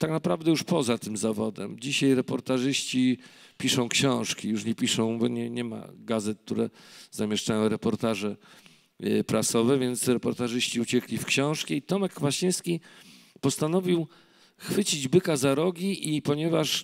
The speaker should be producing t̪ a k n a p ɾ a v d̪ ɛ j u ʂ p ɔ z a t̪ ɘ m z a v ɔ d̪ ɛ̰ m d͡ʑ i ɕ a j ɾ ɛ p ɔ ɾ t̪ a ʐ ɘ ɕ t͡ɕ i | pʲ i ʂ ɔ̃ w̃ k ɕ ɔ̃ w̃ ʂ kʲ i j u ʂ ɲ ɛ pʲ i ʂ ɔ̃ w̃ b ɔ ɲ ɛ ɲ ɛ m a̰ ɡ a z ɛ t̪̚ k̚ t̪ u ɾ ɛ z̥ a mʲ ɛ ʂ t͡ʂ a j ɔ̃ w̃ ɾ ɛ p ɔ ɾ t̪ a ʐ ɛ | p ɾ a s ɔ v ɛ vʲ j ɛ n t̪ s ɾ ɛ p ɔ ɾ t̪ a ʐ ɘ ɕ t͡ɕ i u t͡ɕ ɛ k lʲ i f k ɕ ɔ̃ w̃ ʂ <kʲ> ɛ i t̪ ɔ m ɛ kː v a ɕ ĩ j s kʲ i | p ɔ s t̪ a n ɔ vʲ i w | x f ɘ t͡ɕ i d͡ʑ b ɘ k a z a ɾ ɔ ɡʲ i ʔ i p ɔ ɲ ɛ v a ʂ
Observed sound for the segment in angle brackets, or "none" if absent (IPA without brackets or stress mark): kʲ